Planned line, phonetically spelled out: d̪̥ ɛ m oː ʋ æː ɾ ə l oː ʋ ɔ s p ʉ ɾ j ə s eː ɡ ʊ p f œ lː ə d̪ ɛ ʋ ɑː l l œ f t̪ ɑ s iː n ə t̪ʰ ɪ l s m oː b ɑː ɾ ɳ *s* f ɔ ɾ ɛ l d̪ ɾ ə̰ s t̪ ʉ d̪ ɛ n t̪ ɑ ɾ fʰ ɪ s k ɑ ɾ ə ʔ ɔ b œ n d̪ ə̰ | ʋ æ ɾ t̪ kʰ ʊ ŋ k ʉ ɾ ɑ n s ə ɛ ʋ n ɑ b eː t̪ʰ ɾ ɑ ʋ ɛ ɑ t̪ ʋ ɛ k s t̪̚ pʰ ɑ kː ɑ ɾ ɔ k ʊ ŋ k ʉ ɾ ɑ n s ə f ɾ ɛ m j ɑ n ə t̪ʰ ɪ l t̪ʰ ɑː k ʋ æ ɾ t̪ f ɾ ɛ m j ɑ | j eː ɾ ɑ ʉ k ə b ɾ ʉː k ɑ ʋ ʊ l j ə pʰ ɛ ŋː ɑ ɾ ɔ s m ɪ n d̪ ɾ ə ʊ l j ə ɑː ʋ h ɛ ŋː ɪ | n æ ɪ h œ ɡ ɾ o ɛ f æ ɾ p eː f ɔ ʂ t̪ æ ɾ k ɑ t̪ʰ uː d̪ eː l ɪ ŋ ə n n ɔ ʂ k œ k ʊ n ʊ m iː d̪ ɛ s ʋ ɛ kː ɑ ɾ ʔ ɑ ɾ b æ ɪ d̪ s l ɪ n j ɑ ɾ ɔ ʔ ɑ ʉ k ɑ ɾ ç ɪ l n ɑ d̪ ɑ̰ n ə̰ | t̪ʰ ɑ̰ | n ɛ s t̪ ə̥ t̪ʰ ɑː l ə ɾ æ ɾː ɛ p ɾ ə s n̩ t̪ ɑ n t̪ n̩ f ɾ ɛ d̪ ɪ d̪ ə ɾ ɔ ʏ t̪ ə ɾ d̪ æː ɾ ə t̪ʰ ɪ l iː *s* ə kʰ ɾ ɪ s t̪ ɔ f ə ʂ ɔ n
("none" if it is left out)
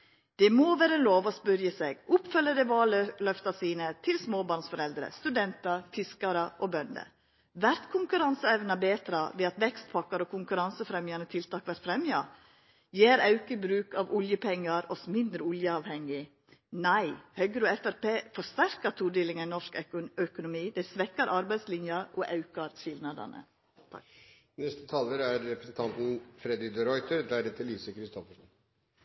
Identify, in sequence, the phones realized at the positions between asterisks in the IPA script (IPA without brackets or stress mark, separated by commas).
s, s